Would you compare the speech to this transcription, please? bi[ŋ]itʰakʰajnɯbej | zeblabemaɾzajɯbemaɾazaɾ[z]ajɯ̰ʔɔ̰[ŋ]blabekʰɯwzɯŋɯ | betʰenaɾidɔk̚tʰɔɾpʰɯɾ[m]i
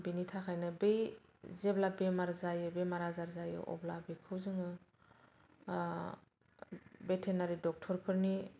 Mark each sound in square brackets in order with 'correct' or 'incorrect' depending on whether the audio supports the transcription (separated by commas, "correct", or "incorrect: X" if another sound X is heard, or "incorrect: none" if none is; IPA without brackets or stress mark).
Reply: incorrect: n, correct, incorrect: none, incorrect: n